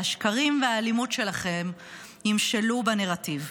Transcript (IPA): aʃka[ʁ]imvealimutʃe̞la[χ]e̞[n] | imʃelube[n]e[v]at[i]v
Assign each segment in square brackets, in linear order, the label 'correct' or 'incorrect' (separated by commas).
correct, correct, incorrect, correct, incorrect, correct